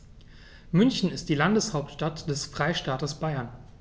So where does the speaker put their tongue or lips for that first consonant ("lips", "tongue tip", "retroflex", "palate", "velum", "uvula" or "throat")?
lips